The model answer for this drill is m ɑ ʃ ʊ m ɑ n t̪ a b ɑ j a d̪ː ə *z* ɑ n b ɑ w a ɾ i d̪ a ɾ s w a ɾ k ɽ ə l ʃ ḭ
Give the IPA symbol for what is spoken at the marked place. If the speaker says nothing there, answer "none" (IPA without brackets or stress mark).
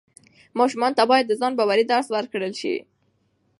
z